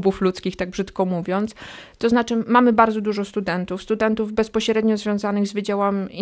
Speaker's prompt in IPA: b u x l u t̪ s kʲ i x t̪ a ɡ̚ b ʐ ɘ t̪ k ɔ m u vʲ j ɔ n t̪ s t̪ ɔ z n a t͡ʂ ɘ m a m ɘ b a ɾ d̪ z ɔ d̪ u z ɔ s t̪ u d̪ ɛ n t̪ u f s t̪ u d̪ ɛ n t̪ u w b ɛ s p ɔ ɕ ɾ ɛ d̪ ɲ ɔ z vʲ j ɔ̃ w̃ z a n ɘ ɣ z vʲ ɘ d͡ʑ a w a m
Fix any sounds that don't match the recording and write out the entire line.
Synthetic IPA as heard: b u f l u t̪ s kʲ i x t̪ a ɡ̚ b ʐ ɘ t̪ k ɔ m u vʲ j ɔ n t̪ s t̪ ɔ z n a t͡ʂ ɘ m a m ɘ b a ɾ d̪ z ɔ d̪ u ʐ ɔ s t̪ u d̪ ɛ n t̪ u f s t̪ u d̪ ɛ n t̪ u v b ɛ s p ɔ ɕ ɾ ɛ d̪ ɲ ɔ z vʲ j ɔ̃ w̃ z a n ɘ ɣ z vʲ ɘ d͡ʑ a w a m